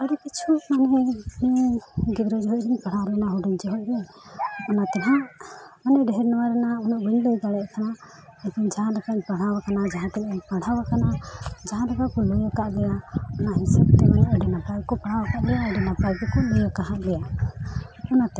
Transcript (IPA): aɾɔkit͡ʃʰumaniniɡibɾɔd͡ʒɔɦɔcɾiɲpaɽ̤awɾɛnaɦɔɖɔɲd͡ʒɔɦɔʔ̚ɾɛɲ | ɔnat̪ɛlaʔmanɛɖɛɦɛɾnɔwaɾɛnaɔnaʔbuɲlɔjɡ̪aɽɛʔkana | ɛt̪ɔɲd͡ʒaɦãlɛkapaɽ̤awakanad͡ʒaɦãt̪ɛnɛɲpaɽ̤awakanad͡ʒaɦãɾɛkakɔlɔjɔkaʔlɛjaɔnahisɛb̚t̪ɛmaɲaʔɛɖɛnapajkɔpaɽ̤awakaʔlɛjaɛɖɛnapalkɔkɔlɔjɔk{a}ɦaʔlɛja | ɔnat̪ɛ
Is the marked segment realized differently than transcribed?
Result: no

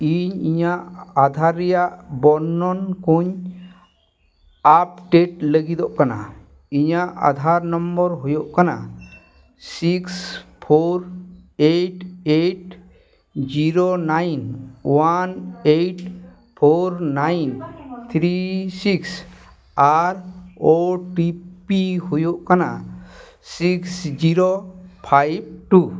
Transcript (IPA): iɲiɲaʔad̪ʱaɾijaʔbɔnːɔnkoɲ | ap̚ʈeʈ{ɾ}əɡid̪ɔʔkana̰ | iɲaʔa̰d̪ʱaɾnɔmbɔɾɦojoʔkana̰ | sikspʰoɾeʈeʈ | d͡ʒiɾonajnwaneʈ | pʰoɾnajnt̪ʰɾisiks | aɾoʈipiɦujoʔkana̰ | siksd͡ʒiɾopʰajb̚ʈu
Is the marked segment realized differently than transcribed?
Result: yes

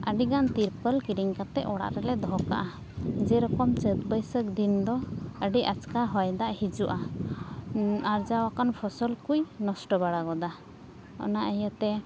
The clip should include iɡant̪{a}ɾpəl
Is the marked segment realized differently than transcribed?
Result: yes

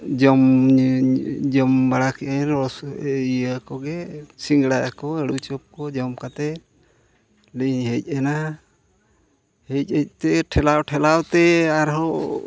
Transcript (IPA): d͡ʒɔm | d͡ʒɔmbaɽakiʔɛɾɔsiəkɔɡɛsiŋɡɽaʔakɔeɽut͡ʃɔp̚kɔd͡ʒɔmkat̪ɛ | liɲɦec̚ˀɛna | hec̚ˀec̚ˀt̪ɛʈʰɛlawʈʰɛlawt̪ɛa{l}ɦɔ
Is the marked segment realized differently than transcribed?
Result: yes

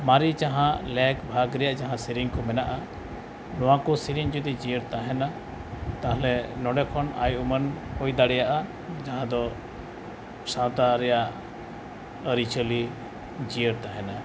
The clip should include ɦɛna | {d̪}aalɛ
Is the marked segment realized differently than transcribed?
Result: yes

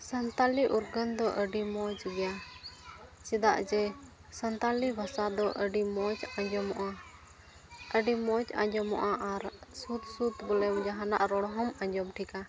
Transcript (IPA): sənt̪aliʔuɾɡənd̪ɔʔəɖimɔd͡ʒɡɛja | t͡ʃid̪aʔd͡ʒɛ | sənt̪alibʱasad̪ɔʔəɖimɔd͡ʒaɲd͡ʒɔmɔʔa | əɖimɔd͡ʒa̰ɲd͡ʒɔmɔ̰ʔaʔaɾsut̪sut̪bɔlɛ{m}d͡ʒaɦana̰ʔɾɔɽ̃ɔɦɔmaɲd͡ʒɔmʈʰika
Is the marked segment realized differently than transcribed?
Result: no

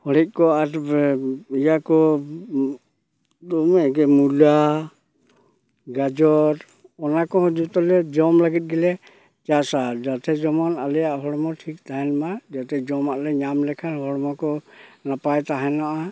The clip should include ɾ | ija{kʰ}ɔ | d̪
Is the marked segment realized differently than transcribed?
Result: yes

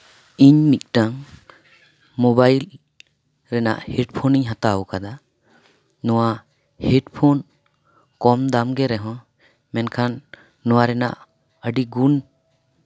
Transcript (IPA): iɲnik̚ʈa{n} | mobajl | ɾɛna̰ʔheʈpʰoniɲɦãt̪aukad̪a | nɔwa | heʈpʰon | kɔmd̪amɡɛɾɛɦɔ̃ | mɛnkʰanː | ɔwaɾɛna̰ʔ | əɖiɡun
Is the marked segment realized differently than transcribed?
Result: yes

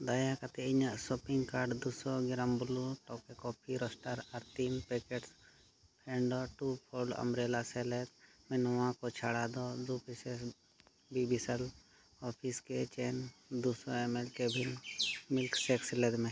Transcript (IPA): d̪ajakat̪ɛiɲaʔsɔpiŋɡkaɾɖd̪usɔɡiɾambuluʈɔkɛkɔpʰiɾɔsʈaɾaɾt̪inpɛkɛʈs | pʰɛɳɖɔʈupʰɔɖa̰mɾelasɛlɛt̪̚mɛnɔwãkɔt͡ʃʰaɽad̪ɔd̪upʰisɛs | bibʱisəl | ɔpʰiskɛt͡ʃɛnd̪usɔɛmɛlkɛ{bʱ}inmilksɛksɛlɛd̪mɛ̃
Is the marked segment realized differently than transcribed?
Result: no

